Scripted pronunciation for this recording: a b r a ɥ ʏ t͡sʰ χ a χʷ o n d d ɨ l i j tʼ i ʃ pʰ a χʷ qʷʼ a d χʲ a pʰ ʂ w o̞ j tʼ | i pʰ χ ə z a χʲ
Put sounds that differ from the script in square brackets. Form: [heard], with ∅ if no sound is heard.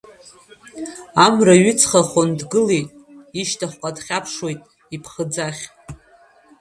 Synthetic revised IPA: a [m] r a ɥ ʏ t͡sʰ χ a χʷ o n d [ɡ] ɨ l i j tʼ i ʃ [tʰ] a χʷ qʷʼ a d χʲ a pʰ ʂ w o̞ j tʼ | i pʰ χ ə [d͡z] a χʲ